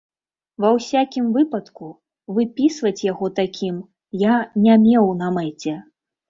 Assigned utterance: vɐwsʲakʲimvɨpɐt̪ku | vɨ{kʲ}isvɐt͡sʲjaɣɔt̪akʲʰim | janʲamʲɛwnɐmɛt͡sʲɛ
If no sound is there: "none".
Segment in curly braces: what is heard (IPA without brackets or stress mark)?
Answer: pʲ